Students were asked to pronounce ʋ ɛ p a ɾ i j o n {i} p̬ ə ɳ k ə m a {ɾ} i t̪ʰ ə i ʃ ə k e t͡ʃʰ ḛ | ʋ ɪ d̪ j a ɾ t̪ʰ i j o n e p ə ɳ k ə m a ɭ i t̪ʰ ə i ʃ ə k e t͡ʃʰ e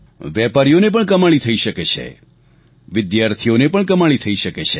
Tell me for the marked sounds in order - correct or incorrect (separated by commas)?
incorrect, incorrect